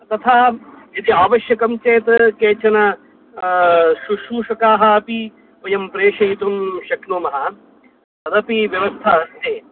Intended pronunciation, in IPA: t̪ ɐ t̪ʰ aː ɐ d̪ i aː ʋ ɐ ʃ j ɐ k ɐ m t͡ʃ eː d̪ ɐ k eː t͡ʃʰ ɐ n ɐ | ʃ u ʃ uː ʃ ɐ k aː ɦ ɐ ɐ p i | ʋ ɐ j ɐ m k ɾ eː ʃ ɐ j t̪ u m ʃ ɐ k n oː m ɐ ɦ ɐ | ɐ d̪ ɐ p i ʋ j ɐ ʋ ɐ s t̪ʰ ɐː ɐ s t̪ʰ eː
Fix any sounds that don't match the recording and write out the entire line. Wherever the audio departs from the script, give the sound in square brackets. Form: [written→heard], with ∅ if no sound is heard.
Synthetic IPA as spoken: t̪ ɐ t̪ʰ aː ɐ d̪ i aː ʋ ɐ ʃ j ɐ k ɐ m t͡ʃ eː [d̪→t̪] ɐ k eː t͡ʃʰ ɐ n ɐ | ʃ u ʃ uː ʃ ɐ k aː ɦ ɐ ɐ p i | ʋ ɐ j ɐ m [k→p] ɾ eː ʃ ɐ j t̪ u m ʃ ɐ k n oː m ɐ ɦ ɐ | ɐ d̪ ɐ p i ʋ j ɐ ʋ ɐ s t̪ʰ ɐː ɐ s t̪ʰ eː